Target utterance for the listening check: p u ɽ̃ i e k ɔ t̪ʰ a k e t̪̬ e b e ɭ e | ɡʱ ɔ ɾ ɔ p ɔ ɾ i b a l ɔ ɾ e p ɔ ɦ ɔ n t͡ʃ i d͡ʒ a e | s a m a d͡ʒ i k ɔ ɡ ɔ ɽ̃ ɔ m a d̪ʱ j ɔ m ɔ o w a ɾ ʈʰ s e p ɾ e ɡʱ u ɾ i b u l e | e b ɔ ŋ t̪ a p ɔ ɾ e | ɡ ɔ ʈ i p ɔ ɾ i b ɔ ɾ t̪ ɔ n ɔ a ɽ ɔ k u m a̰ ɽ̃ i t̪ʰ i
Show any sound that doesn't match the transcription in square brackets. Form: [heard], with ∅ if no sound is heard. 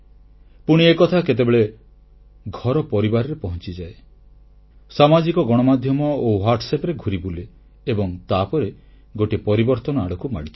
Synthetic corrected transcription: p u ɽ̃ i e k ɔ t̪ʰ a k e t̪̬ e b e ɭ e | ɡʱ ɔ ɾ ɔ p ɔ ɾ i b a [ɾ] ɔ ɾ e p ɔ ɦ ɔ n t͡ʃ i d͡ʒ a e | s a m a d͡ʒ i k ɔ ɡ ɔ ɽ̃ ɔ m a d̪ʱ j ɔ m ɔ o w a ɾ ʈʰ s e p ɾ e ɡʱ u ɾ i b u l e | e b ɔ ŋ t̪ a p ɔ ɾ e | ɡ [o] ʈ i p ɔ ɾ i b ɔ ɾ t̪ ɔ n ɔ a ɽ ɔ k u m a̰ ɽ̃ i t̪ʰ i